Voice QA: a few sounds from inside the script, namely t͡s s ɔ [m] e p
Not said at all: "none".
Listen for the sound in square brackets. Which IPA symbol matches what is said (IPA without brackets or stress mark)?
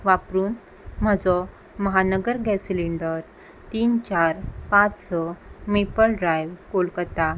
m